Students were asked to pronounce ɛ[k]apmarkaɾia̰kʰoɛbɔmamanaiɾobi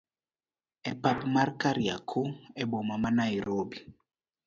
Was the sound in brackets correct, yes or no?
no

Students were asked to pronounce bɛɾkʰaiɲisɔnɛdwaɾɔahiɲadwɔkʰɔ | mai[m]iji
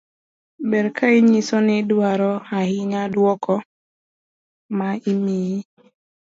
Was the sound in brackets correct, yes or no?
yes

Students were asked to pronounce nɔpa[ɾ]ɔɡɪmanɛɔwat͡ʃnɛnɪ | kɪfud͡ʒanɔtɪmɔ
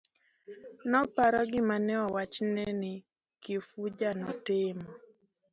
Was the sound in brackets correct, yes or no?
yes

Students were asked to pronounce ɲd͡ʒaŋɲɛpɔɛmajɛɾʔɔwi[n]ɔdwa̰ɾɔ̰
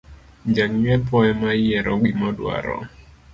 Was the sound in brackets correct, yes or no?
no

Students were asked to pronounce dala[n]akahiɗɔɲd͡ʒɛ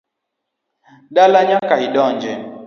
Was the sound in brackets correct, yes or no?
no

